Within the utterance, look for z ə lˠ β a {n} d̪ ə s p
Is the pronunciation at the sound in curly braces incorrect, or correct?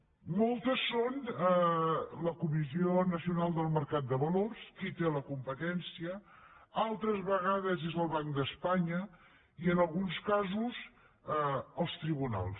incorrect